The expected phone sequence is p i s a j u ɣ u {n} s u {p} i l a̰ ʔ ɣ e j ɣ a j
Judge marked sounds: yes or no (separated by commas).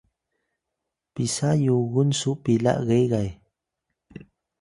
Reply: yes, yes